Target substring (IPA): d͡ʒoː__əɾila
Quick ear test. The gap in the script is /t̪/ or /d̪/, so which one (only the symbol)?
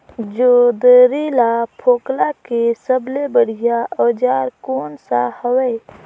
d̪